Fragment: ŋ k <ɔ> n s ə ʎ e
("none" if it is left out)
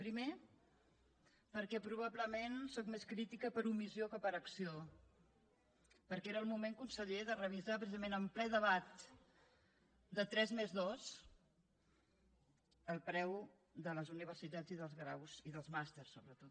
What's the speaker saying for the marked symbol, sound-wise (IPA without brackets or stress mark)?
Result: u